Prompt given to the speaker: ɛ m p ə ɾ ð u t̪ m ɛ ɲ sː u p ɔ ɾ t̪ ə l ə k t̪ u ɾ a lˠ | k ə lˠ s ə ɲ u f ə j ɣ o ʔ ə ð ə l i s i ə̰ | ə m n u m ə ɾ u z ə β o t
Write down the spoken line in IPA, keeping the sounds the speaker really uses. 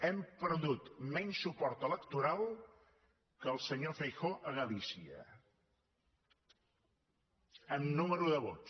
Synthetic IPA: ɛ m p ə ɾ ð u t̪ m ɛ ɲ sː u p ɔ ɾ t̪ ə l ə k t̪ u ɾ a lˠ | k ə lˠ s ə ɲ o f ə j x o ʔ ə ɣ ə l i s i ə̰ | ə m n u m ə ɾ u ð ə β o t